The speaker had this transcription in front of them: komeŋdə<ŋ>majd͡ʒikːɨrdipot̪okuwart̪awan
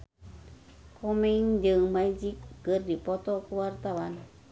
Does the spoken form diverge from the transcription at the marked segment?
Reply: no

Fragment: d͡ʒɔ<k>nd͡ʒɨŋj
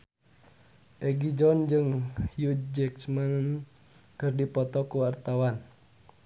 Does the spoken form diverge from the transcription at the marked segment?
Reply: yes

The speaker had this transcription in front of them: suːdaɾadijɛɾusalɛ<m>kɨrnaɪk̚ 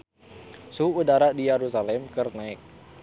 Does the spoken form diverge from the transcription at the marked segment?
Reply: no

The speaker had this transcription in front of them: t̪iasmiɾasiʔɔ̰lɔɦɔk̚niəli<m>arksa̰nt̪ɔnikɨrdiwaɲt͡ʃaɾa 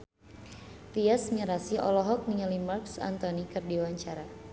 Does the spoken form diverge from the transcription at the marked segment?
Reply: no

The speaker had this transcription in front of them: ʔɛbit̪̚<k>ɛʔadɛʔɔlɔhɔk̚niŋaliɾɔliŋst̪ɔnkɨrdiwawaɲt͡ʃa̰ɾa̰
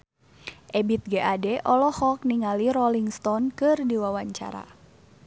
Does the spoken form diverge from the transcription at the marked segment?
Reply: yes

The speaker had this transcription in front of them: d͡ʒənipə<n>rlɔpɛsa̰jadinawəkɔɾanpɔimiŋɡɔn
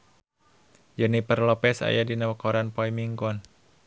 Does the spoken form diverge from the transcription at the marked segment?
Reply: yes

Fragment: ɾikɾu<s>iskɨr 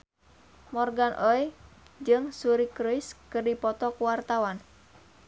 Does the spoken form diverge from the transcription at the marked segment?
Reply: yes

